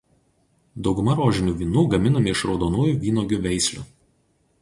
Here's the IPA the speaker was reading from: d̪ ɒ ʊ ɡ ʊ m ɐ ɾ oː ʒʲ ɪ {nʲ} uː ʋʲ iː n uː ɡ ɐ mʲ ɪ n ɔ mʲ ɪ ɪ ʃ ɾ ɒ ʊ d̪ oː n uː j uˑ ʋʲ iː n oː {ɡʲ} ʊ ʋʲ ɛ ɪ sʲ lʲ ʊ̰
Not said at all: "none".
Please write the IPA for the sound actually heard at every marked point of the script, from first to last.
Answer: nʲ, ɡʲ

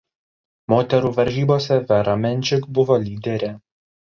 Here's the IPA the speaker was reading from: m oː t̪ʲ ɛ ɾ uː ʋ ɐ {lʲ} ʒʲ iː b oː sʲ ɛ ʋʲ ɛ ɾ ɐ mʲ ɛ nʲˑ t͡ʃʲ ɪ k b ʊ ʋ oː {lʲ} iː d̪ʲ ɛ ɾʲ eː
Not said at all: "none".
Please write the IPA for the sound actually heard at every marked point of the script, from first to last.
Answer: ɾʲ, lʲ

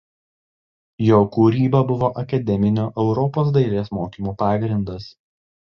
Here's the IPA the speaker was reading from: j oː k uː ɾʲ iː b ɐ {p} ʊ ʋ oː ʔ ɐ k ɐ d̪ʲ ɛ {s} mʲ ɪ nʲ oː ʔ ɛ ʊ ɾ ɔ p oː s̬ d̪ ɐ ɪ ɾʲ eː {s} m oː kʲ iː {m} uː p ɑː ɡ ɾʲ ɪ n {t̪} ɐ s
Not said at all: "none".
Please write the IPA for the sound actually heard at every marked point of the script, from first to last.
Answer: b, none, s, m, d̪

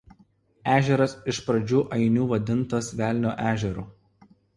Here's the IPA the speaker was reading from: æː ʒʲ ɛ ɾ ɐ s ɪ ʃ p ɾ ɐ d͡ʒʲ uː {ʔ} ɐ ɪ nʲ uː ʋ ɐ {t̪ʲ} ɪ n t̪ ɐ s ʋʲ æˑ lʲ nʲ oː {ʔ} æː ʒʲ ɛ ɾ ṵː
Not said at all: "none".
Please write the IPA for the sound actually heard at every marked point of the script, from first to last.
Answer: ʔ, d̪ʲ, ʔ

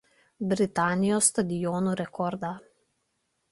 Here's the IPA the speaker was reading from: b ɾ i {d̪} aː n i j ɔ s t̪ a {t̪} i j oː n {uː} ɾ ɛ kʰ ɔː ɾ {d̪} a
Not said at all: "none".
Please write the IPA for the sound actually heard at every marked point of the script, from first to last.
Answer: t̪, d̪, u, d̪

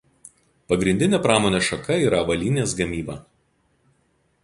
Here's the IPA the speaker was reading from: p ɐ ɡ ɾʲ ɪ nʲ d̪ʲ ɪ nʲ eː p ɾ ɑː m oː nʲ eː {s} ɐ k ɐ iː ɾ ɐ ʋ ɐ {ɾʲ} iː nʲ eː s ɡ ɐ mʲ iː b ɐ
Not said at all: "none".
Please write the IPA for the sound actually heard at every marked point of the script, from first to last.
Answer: ʃ, lʲ

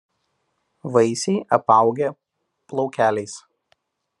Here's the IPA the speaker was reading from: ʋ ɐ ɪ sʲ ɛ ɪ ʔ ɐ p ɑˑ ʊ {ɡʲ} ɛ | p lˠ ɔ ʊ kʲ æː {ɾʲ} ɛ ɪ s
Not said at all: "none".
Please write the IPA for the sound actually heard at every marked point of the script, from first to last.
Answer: ɡʲ, lʲ

